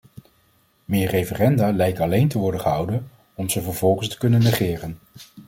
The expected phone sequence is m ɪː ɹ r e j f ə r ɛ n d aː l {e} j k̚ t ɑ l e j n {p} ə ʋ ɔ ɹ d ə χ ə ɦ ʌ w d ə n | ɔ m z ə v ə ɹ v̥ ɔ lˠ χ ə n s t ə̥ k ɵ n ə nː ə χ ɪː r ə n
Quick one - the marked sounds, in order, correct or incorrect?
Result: incorrect: ɛ, incorrect: t

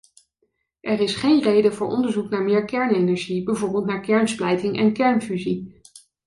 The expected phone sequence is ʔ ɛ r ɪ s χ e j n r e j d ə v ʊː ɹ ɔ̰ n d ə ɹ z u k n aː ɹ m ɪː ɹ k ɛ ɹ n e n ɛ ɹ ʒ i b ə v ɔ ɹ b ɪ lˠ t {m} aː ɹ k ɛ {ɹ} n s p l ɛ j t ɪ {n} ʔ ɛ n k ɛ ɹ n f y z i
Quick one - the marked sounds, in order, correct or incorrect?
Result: incorrect: n, correct, incorrect: ŋ

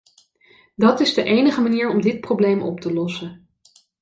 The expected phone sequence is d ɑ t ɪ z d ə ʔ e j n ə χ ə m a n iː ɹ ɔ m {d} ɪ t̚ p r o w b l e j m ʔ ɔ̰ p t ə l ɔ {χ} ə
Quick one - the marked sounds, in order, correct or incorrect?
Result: correct, incorrect: s

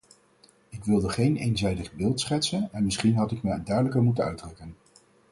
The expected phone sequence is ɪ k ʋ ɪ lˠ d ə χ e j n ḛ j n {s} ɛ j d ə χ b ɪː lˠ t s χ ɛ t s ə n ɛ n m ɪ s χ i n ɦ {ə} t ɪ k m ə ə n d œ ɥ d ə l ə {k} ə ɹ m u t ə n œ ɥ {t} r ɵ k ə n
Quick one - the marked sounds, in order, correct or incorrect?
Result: incorrect: z, incorrect: ɑ, correct, incorrect: d

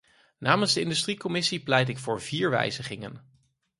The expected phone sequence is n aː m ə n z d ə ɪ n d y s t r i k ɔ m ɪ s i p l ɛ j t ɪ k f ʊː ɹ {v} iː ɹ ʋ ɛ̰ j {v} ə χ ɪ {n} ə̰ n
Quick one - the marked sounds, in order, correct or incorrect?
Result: correct, incorrect: z, incorrect: ŋ

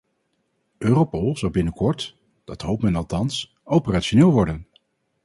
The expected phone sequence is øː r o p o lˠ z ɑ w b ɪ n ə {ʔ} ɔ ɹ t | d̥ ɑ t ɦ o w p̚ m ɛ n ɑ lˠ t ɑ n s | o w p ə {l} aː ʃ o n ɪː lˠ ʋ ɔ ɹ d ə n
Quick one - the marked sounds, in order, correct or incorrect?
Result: incorrect: k, incorrect: r

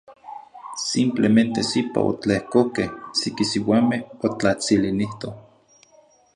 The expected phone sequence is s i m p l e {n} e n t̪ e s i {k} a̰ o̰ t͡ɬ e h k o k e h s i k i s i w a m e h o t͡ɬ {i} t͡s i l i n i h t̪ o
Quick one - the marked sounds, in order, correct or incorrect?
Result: incorrect: m, incorrect: p, incorrect: a

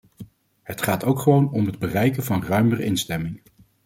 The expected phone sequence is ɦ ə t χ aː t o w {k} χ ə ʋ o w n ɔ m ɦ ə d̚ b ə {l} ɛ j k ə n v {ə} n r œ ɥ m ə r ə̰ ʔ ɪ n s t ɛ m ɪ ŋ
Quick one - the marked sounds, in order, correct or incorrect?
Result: correct, incorrect: r, incorrect: ɑ

